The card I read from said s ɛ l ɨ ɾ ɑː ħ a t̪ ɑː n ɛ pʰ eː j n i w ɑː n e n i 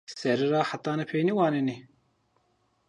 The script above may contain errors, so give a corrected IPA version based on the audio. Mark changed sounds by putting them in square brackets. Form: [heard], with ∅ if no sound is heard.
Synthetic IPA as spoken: s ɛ [ɾ] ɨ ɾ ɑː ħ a t̪ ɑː n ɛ pʰ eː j n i w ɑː n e n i